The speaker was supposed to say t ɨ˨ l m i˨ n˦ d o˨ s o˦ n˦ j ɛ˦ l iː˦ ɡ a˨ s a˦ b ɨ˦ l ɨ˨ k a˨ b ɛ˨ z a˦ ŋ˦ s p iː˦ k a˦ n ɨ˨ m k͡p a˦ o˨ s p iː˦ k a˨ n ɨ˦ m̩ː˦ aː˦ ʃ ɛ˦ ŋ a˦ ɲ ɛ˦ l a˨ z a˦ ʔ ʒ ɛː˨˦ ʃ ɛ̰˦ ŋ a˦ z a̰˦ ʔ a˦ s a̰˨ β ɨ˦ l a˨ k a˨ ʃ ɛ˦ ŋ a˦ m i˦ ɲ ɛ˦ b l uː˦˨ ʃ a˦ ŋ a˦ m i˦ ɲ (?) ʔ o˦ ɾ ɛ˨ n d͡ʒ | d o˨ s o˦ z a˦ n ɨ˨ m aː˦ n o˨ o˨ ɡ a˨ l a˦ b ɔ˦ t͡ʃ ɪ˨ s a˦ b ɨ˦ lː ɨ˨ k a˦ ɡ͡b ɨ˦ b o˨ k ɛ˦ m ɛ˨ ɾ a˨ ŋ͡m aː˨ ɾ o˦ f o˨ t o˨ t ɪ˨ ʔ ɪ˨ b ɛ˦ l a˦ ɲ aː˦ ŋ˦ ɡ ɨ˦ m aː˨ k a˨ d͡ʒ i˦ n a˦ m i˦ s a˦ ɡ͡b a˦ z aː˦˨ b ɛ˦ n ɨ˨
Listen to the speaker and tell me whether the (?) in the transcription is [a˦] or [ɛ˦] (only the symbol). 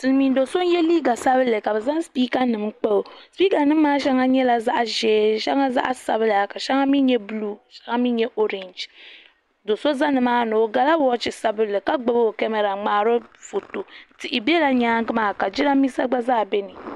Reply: ɛ˦